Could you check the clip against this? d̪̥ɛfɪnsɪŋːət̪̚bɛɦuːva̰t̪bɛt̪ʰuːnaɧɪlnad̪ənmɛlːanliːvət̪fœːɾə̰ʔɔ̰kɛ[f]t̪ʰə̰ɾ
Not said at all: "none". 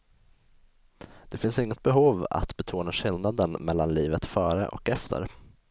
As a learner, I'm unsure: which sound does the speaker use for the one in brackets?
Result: f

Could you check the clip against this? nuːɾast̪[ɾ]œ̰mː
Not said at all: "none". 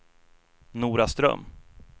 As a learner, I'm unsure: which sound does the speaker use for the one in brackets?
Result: ɾ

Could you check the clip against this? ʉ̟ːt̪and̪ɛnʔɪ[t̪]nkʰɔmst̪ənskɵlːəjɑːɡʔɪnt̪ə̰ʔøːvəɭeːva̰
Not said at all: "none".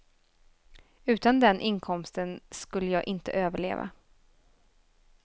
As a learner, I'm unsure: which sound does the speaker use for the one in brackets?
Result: none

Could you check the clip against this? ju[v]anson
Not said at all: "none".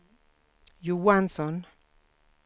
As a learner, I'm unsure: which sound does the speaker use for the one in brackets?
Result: w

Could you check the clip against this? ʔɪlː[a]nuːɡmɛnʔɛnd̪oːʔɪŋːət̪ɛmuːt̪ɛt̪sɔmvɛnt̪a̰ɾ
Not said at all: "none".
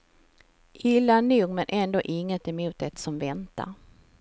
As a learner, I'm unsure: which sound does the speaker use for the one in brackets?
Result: a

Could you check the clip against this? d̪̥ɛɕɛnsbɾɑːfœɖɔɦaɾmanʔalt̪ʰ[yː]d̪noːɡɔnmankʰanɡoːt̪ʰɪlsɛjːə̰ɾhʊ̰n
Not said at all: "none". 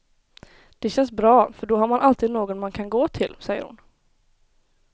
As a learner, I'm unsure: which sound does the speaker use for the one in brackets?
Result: iː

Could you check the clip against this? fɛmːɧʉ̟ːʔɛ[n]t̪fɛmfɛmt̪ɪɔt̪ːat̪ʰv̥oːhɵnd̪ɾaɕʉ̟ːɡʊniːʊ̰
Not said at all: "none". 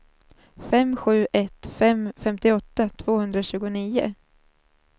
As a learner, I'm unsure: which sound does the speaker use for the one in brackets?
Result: none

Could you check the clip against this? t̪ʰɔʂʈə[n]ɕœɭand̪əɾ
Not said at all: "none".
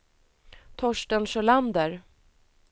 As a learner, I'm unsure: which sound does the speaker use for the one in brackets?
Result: n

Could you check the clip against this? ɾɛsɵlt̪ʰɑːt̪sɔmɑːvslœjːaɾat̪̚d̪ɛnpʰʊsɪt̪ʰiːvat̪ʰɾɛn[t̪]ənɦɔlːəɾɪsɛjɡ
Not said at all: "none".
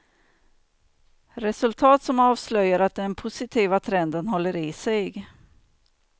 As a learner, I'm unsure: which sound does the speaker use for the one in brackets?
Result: d̪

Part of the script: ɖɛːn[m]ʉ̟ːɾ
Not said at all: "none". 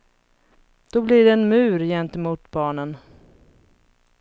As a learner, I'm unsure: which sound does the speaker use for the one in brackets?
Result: m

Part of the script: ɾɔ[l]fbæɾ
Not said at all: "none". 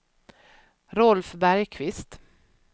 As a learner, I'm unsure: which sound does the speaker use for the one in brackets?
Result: l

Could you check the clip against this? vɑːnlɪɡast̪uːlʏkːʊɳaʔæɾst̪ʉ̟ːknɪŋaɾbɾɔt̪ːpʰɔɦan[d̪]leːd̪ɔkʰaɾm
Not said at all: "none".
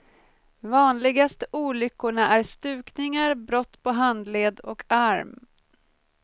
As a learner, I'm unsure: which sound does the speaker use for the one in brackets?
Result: d̪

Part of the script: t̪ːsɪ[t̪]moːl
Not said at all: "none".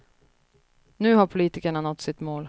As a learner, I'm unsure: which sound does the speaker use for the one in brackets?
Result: t̪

